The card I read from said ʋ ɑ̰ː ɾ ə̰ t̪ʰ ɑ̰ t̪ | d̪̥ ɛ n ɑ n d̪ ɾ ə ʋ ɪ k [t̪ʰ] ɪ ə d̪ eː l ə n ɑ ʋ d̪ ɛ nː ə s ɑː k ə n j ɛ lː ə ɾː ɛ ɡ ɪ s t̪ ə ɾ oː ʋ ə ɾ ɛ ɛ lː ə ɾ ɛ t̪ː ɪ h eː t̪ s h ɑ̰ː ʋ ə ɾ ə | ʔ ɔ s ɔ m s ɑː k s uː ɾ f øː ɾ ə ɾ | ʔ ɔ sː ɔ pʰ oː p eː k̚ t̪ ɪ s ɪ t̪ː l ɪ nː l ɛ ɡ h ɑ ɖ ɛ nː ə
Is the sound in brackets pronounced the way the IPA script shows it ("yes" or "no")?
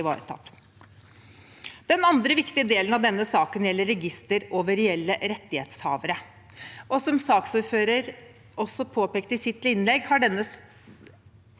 no